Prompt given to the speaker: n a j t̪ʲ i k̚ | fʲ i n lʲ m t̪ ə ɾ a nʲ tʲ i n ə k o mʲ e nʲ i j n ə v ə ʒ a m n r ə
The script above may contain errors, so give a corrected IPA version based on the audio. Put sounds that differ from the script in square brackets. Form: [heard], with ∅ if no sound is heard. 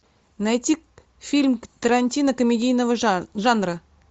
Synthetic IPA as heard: n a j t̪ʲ i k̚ | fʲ i [∅] lʲ m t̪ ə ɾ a nʲ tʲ i n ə k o mʲ e [dʲ] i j n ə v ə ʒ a [∅] n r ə

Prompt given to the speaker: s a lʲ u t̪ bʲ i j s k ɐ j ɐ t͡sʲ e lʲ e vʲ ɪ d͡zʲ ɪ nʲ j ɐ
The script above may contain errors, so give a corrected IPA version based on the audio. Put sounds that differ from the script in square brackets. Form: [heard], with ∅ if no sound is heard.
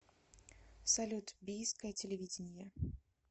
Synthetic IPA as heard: s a lʲ u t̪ bʲ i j s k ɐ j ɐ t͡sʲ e lʲ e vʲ [i] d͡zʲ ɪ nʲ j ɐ

